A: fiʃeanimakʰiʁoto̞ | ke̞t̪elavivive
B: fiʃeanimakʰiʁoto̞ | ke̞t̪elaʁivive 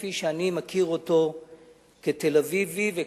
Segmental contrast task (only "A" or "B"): A